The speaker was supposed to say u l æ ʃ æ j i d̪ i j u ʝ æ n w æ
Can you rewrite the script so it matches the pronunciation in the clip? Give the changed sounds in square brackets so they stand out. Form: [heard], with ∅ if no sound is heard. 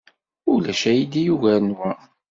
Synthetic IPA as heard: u l æ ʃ æ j i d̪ i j u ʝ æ n w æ